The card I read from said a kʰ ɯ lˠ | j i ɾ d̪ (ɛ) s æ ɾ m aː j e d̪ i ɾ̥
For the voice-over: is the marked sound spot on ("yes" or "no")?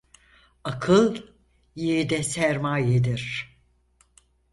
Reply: yes